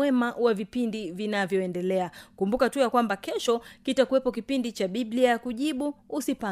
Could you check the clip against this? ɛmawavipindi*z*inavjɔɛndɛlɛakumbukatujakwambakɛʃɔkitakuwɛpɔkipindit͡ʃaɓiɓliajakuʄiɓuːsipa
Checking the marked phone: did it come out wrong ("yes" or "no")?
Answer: yes